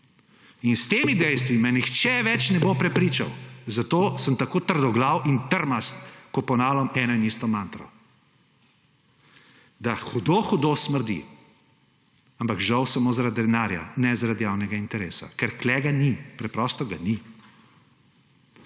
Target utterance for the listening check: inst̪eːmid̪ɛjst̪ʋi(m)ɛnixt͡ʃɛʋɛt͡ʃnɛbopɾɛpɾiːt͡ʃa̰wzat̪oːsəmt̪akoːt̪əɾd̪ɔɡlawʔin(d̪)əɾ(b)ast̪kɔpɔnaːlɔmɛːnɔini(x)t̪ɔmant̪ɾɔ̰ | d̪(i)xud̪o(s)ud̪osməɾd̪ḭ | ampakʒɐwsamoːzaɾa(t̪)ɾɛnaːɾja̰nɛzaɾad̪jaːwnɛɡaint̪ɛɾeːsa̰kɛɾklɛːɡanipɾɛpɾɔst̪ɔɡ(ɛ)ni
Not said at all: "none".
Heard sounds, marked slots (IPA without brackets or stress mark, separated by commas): m, t̪, m, s, a, x, d̪, a